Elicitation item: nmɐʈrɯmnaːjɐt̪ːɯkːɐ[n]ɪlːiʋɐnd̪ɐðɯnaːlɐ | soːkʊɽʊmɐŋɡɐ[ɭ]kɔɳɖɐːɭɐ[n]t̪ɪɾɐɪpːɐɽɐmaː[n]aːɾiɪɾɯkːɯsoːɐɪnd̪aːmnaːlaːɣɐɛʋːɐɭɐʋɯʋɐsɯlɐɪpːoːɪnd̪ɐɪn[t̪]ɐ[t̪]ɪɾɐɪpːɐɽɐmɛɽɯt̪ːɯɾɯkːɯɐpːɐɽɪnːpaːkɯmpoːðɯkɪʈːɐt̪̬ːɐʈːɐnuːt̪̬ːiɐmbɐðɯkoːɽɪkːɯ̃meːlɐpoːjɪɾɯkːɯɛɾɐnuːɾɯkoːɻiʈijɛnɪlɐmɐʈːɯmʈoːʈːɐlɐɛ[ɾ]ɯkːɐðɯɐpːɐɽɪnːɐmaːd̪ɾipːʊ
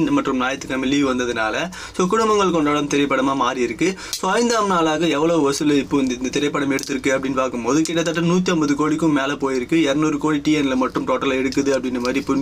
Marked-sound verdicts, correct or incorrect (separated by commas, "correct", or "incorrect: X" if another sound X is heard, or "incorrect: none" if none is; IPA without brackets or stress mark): incorrect: m, correct, incorrect: m, incorrect: m, incorrect: d̪, correct, incorrect: ɽ